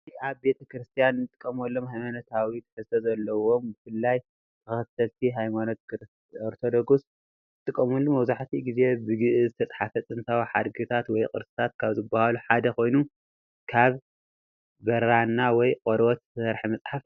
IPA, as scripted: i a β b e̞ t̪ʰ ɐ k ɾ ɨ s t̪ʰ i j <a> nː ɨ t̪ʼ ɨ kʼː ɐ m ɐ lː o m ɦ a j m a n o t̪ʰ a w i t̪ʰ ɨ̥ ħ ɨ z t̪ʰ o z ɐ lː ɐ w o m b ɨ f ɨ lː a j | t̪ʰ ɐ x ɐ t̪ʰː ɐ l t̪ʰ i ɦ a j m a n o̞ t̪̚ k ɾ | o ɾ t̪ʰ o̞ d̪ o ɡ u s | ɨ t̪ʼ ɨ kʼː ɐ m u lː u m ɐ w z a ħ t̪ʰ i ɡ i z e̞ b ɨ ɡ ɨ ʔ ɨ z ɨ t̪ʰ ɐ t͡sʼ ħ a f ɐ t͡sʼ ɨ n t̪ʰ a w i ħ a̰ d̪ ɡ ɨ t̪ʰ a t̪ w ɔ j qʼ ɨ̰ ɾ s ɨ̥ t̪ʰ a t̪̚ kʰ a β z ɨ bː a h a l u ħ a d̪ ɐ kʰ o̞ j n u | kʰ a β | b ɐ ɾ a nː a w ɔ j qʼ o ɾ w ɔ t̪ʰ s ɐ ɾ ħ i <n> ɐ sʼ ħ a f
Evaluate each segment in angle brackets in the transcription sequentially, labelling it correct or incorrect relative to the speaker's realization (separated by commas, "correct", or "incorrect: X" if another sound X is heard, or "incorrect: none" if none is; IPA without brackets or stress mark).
correct, incorrect: m